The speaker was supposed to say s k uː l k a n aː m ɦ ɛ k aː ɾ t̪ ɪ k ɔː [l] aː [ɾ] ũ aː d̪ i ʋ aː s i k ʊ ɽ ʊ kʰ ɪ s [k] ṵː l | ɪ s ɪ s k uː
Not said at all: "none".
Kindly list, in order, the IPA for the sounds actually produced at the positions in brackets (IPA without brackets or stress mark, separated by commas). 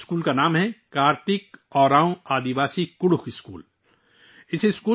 ɾ, none, k